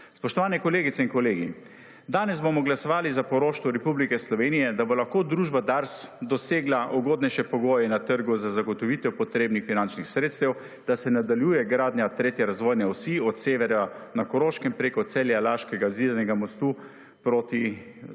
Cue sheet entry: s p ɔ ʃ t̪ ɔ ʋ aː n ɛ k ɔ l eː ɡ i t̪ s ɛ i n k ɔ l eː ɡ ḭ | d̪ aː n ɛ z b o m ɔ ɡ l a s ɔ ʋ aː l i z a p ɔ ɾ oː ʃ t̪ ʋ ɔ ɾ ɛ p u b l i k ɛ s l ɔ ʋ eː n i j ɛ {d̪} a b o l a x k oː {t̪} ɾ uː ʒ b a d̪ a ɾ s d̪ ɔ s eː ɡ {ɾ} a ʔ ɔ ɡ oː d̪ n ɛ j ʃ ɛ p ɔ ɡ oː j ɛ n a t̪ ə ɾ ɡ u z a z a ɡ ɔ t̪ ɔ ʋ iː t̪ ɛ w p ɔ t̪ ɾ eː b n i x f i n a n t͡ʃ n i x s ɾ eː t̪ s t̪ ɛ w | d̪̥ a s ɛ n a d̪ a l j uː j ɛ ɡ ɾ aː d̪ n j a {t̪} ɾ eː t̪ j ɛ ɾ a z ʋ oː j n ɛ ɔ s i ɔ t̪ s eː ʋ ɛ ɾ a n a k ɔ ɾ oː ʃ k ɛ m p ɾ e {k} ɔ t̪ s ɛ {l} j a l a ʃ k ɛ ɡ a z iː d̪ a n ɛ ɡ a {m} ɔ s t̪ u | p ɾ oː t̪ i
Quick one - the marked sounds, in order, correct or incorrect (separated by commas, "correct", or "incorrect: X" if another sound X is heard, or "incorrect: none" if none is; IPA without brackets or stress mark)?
correct, incorrect: d̪, incorrect: l, correct, correct, correct, correct